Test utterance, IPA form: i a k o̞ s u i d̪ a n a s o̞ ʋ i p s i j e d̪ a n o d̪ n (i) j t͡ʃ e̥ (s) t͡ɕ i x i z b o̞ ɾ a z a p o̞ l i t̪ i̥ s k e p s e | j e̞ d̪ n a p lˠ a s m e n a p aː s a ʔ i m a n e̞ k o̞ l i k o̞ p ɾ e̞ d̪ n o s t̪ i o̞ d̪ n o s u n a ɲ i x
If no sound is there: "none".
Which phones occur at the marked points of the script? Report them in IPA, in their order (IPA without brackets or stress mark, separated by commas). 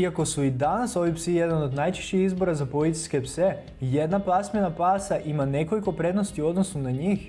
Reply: a, ʃ